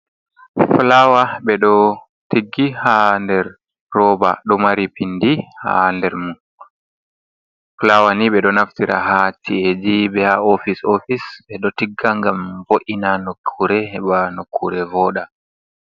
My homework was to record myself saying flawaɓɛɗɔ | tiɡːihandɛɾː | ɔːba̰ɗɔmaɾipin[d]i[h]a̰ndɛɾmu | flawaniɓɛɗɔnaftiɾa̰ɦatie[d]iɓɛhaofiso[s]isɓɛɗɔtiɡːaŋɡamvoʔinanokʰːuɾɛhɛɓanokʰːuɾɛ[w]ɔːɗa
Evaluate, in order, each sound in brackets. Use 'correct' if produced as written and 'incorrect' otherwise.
correct, correct, incorrect, incorrect, incorrect

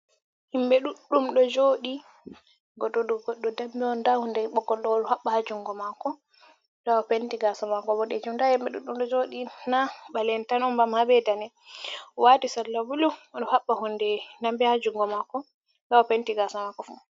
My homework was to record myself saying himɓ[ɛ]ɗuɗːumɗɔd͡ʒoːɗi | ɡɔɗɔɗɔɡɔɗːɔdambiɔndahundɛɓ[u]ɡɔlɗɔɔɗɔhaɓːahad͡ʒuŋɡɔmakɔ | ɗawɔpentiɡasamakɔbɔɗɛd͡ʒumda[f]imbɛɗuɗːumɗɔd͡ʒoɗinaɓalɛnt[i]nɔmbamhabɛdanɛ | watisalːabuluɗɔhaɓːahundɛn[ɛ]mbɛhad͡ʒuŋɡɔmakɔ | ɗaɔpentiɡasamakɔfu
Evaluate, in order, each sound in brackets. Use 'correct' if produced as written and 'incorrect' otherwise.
correct, incorrect, incorrect, incorrect, incorrect

